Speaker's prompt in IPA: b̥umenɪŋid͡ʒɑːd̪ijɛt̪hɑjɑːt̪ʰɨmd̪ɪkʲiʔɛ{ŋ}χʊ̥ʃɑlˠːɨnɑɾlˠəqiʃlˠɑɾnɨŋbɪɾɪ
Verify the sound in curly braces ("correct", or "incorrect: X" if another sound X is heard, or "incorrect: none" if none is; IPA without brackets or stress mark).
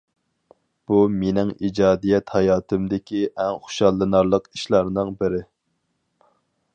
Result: correct